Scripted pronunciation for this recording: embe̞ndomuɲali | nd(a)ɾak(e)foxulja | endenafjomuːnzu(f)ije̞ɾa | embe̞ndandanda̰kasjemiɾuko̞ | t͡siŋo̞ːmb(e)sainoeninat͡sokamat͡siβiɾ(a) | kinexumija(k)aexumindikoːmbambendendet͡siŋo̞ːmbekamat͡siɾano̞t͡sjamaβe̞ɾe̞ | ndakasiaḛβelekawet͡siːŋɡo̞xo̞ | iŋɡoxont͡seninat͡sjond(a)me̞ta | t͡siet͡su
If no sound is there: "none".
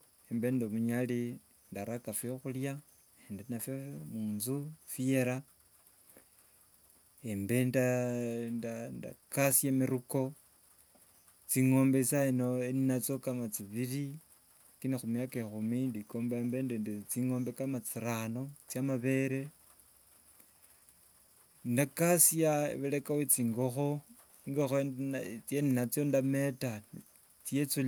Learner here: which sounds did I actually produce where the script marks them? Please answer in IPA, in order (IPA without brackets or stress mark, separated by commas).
a, a, f, e, i, k, a